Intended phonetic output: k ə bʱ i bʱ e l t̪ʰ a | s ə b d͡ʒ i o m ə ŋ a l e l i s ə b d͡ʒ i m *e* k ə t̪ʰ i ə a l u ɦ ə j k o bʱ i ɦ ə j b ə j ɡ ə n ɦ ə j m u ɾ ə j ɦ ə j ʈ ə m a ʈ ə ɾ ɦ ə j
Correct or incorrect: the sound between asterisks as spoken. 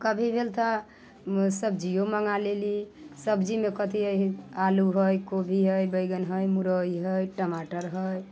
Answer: correct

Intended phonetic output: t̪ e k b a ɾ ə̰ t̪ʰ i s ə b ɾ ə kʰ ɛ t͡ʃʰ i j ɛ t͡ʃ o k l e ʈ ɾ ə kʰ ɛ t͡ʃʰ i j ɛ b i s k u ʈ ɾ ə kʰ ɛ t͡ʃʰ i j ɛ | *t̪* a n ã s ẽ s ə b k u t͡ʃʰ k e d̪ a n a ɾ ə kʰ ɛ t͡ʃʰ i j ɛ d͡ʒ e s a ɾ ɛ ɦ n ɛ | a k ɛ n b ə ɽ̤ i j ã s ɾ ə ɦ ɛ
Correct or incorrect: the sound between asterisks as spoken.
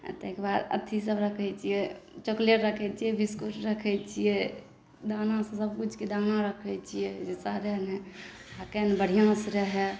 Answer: incorrect: d̪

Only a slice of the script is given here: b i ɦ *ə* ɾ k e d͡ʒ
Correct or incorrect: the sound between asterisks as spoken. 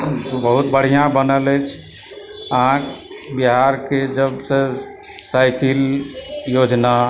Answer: incorrect: a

